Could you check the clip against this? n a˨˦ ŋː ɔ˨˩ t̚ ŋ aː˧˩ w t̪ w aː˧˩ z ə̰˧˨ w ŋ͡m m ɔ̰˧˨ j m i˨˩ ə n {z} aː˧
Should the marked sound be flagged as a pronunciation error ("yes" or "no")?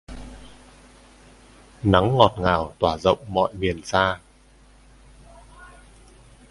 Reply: yes